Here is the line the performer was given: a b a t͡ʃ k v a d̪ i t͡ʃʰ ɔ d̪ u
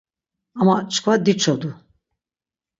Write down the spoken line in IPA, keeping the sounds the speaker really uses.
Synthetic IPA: a m a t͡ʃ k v a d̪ i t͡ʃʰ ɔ d̪ u